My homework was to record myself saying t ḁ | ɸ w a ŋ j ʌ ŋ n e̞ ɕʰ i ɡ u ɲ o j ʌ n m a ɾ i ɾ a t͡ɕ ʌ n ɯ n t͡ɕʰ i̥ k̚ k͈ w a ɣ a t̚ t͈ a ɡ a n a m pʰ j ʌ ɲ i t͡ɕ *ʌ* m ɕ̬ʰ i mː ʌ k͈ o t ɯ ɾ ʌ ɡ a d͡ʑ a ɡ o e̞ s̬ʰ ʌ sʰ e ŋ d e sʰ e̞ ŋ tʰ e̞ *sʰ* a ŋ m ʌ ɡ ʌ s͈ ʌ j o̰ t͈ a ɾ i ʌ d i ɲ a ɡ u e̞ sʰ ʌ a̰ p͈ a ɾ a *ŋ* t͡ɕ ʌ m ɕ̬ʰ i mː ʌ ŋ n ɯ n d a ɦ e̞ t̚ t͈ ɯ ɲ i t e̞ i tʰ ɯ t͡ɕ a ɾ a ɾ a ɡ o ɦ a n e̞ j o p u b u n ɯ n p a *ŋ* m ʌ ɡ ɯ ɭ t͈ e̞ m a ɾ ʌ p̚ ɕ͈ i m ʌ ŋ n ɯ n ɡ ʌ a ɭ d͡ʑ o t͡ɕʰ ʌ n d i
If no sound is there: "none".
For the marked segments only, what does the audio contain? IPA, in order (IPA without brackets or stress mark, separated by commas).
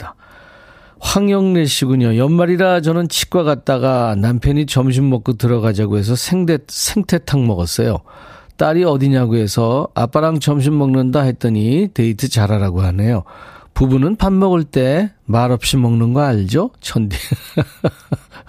ʌ, tʰ, ŋ, n